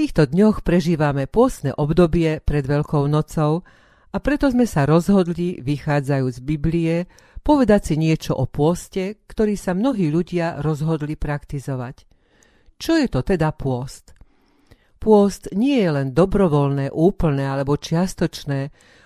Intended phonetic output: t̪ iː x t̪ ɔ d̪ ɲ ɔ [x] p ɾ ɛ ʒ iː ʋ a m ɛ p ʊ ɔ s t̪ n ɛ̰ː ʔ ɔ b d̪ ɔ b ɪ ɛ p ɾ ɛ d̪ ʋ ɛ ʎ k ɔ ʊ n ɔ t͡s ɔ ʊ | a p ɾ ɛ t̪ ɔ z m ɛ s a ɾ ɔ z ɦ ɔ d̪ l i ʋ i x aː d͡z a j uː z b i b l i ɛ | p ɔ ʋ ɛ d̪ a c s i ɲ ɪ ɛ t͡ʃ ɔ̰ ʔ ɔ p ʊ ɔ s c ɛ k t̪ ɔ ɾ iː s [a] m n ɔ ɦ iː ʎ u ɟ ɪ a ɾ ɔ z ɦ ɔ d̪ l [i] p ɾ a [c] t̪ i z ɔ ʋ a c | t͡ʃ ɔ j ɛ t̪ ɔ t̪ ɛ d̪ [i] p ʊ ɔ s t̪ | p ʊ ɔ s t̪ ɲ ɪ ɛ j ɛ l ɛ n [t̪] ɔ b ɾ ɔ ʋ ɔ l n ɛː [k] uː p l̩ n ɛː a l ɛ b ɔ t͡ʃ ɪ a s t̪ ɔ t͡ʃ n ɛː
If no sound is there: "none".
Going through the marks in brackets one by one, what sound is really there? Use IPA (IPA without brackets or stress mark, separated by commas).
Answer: x, a, i, k, a, d̪, ʔ